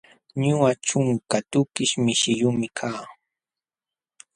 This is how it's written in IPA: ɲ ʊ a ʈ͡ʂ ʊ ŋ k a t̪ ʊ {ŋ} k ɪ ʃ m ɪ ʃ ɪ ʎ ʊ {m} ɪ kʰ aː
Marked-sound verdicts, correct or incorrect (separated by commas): incorrect, correct